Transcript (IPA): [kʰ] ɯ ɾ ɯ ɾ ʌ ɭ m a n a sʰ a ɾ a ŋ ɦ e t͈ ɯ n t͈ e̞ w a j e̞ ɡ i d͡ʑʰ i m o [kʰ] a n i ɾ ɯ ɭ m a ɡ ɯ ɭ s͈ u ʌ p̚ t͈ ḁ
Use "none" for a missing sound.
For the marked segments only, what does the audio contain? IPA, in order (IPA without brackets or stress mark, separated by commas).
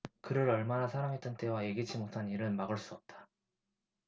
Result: k, tʰ